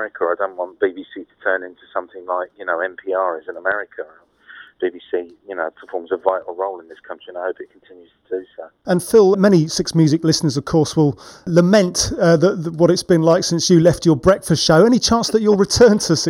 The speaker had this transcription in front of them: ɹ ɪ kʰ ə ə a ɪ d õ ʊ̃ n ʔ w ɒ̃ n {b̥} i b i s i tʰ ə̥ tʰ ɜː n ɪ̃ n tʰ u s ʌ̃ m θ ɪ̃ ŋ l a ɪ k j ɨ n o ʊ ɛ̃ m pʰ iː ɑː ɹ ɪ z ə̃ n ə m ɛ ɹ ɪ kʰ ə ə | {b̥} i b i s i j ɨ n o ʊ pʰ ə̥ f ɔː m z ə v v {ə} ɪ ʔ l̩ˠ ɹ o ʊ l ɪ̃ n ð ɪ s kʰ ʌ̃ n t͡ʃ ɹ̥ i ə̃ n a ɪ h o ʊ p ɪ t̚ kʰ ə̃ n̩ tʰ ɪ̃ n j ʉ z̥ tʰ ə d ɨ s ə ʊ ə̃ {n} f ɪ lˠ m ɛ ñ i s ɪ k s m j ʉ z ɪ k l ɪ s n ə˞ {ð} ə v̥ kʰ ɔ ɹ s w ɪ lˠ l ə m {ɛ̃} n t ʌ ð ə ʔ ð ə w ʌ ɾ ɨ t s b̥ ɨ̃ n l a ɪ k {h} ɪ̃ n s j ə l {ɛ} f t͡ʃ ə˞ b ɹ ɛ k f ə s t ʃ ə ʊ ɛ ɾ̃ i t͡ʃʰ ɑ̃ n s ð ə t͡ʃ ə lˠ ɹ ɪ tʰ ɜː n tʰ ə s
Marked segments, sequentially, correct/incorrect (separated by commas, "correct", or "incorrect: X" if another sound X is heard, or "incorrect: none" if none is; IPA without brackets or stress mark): correct, correct, incorrect: a, correct, incorrect: z, correct, incorrect: s, correct